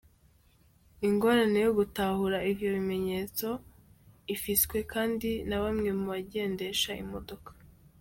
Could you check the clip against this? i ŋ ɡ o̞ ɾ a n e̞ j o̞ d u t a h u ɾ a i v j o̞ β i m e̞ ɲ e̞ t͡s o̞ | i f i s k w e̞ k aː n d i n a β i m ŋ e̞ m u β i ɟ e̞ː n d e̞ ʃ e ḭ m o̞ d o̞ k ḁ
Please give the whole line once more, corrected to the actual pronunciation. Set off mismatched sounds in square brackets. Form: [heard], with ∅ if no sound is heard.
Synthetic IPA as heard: i ŋ ɡ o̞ ɾ a n e̞ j o̞ [ɡ] u t a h u ɾ a i v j o̞ β i m e̞ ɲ e̞ t͡s o̞ | i f i s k w e̞ k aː n d i n a β [a] m ŋ e̞ m u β [a] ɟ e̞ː n d e̞ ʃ [a] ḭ m o̞ d o̞ k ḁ